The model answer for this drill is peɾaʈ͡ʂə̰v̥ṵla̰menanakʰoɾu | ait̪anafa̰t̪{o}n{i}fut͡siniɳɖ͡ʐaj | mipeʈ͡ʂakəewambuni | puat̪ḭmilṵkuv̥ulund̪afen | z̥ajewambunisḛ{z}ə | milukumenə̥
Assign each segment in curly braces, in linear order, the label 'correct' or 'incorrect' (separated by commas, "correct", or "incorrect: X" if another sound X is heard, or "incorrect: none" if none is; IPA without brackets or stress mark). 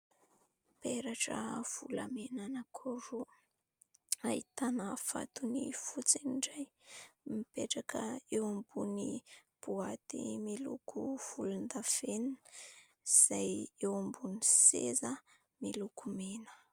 incorrect: u, correct, correct